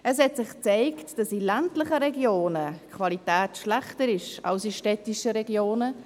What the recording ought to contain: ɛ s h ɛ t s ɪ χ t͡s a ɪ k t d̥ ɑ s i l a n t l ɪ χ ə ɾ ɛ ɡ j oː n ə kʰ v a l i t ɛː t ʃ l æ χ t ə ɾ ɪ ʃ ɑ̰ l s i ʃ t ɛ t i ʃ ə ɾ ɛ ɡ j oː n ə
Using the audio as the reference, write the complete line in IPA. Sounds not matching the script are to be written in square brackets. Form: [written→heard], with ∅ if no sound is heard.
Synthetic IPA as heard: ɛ s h ɛ t s ɪ χ t͡s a ɪ k t d̥ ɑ s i l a n t l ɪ χ ə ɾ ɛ ɡ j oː n ə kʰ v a l i t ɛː t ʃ l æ χ t ə ɾ ɪ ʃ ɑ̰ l s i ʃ t ɛ t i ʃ ə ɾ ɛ ɡ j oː n ə